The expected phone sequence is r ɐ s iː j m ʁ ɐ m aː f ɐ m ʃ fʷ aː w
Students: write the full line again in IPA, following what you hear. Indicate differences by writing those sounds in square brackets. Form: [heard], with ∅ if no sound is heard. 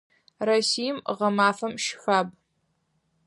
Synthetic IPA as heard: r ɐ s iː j m ʁ ɐ m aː f ɐ m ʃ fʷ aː [b]